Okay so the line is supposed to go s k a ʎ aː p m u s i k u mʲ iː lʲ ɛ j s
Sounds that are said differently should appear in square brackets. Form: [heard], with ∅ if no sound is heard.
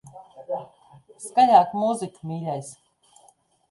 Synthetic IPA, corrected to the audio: s k a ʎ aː [k] m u [z] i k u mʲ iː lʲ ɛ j s